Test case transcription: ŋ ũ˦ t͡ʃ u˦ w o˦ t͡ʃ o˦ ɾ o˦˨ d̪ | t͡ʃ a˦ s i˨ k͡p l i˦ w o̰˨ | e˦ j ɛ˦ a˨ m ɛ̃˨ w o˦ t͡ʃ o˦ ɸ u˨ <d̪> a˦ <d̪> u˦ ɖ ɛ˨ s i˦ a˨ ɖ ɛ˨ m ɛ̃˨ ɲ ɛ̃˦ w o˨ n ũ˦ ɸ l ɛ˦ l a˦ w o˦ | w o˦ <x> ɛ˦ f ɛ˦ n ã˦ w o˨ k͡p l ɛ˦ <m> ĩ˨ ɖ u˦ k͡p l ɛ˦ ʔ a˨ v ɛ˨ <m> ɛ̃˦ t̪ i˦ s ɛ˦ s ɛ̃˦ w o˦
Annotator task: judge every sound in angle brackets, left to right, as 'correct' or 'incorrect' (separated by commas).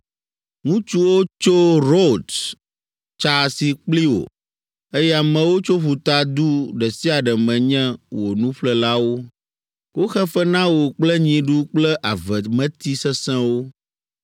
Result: incorrect, correct, correct, incorrect, correct